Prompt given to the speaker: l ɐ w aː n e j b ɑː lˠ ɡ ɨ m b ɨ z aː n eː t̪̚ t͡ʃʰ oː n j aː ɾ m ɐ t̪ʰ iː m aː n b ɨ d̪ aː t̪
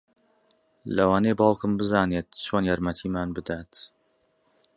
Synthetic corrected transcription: l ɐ w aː n e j b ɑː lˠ k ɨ m b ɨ z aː n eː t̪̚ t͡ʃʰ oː n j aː ɾ m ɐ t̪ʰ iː m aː n b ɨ d̪ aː t̪